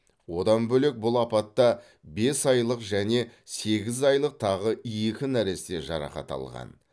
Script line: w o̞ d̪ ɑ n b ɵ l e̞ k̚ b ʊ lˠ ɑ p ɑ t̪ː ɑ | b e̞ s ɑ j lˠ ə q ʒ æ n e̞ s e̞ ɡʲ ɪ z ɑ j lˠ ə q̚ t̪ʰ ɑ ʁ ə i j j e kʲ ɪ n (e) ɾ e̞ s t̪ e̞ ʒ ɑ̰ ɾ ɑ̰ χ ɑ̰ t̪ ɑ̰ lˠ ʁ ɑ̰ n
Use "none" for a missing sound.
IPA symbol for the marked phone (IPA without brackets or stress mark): æ